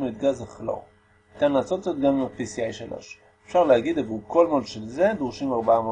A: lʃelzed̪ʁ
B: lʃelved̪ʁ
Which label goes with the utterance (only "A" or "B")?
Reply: A